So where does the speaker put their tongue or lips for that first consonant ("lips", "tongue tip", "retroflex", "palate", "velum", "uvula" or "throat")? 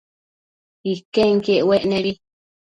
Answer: velum